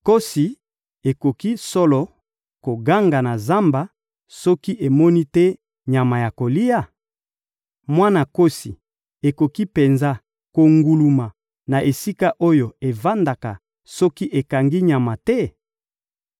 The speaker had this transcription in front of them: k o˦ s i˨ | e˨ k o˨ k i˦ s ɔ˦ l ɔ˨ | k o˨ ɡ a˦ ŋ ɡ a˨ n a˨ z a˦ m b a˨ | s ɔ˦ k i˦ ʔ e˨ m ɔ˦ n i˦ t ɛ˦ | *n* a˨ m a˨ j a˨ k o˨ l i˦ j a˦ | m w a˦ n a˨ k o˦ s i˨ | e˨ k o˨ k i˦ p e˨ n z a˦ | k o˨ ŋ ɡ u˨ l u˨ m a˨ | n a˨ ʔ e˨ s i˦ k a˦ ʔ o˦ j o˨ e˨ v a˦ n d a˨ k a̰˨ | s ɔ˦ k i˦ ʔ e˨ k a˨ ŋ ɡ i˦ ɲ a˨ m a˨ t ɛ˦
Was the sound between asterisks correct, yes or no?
no